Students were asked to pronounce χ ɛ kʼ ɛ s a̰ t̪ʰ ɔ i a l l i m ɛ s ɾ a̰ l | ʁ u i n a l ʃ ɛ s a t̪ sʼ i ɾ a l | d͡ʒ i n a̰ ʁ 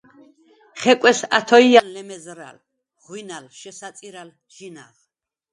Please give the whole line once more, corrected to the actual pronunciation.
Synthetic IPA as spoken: χ ɛ kʼ ɛ s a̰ t̪ʰ ɔ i a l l ɛ m ɛ z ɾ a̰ l | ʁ w i n a l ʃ ɛ s a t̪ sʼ i ɾ a l | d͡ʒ i n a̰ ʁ